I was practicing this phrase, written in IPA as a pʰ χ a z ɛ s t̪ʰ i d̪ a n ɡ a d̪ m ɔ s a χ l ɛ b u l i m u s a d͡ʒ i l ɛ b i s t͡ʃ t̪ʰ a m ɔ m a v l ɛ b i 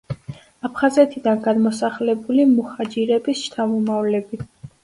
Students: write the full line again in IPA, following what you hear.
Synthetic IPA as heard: a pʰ χ a z ɛ t̪ʰ i d̪ a n ɡ a d̪ m ɔ s a χ l ɛ b u l i m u χ a d͡ʒ i ɾ ɛ b i s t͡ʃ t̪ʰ a m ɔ m a v l ɛ b i